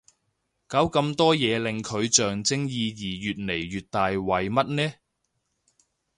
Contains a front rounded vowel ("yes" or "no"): yes